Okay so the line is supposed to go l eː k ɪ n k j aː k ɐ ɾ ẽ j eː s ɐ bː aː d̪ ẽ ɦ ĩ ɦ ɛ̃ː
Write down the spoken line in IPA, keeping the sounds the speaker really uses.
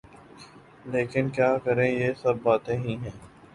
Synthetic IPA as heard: l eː k ɪ n k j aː k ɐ ɾ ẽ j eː s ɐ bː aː t̪ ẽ ɦ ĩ ɦ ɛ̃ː